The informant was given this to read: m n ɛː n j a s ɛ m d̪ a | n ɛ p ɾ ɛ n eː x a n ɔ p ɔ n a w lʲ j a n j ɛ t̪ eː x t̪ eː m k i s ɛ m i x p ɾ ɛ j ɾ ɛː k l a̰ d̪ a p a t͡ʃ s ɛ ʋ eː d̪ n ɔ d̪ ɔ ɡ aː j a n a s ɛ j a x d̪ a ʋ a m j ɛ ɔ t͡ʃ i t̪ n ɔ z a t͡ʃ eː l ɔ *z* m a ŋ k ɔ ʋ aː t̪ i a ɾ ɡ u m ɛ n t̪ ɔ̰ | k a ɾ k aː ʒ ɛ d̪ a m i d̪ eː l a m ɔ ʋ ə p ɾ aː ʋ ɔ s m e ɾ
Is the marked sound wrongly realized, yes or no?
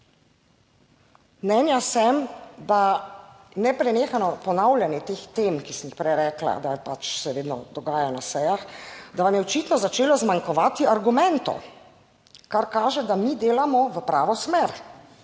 no